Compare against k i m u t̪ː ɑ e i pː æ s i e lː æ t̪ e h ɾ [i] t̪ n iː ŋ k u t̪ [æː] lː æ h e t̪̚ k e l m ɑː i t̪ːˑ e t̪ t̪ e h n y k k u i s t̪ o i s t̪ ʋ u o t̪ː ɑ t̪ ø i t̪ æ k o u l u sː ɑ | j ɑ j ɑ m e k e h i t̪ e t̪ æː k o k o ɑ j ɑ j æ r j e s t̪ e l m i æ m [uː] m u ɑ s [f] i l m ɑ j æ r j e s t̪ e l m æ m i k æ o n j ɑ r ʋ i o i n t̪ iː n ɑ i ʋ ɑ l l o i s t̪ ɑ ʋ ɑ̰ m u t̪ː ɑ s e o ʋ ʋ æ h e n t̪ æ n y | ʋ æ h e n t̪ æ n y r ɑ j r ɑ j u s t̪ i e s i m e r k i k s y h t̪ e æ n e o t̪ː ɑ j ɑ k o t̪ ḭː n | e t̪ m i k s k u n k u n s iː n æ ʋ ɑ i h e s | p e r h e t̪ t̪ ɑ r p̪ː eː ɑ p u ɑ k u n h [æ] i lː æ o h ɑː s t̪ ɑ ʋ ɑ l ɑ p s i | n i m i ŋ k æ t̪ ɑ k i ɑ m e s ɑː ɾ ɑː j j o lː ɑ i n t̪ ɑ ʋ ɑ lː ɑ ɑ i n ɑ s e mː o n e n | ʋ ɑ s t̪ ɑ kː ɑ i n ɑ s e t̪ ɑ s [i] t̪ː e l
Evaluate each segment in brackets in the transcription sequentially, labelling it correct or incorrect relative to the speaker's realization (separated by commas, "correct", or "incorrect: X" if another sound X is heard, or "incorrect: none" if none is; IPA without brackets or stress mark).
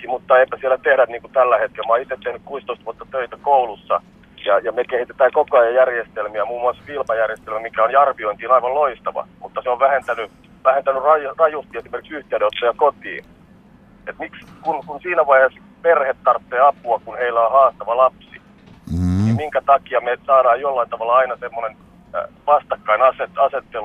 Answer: incorrect: æ, incorrect: æ, correct, correct, incorrect: e, incorrect: e